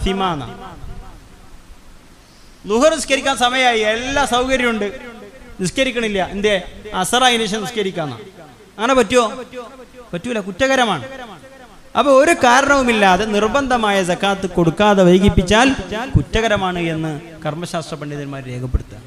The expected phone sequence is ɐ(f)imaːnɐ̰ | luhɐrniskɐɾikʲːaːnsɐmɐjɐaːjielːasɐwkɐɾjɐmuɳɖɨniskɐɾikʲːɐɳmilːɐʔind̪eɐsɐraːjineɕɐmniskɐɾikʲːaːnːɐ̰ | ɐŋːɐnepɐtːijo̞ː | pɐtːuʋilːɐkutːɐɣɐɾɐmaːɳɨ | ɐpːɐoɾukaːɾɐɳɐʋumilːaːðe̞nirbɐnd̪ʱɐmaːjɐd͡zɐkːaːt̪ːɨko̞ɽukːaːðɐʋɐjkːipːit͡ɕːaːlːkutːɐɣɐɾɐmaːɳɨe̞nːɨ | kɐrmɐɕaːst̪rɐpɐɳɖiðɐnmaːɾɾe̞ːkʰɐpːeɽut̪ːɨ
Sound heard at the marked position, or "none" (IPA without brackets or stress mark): f